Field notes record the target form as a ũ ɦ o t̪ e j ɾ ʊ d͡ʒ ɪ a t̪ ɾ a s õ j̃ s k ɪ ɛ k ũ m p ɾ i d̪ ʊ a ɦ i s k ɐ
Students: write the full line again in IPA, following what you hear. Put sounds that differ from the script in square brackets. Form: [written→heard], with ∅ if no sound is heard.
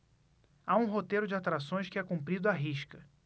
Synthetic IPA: a ũ ɦ o t̪ e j ɾ ʊ d͡ʒ ɪ a t̪ ɾ a s õ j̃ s k ɪ ɛ k ũ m p ɾ i d̪ ʊ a ɦ i [s→ʃ] k ɐ